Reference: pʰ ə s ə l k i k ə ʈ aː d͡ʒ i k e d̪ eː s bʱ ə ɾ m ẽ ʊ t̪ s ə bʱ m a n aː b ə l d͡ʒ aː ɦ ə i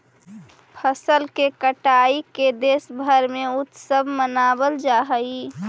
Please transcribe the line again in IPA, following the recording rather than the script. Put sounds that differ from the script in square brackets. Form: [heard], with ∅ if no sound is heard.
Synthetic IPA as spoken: pʰ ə s ə l k [e] k ə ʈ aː [∅] i k e d̪ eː s bʱ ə ɾ m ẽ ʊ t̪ s ə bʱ m [ə] n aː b ə l d͡ʒ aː ɦ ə i